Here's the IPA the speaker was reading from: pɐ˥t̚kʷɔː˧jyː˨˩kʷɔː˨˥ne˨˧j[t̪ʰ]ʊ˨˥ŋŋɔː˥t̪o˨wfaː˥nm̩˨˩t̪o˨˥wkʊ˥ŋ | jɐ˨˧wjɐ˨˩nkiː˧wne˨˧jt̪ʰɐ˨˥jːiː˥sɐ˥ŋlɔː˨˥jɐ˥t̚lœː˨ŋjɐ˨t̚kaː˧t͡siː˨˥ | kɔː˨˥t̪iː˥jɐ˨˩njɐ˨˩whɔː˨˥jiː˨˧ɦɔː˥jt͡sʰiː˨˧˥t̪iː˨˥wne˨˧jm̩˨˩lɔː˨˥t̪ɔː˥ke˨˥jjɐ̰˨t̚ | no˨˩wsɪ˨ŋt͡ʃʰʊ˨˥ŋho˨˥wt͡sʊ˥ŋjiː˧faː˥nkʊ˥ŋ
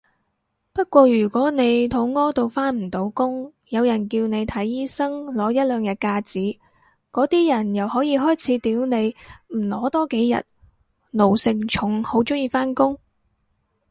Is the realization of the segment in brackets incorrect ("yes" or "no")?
no